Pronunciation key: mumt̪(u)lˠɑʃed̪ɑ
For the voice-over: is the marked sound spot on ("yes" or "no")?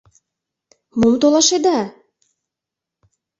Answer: no